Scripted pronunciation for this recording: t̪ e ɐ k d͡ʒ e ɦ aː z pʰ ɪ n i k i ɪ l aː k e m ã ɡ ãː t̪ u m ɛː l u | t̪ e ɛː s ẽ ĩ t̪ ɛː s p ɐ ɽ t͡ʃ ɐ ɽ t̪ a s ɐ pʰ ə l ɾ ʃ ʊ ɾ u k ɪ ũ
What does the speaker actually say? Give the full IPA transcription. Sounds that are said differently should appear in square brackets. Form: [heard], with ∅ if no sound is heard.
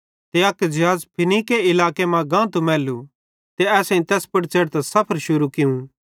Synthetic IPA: t̪ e ɐ k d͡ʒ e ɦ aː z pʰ ɪ n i k [e] ɪ l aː k e m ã ɡ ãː t̪ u m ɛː l u | t̪ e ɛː s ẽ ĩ t̪ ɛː s p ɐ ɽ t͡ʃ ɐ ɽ t̪ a s ɐ pʰ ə [∅] ɾ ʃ ʊ ɾ u k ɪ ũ